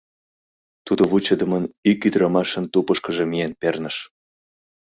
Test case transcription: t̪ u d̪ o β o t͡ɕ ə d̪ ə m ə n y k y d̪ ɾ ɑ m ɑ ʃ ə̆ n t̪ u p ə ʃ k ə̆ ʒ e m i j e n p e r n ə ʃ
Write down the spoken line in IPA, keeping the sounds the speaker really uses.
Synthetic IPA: t̪ u d̪ o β u t͡ɕ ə d̪ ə m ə n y k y d̪ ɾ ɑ m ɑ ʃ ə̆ n t̪ u p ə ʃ k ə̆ ʒ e m i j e n p e r n ə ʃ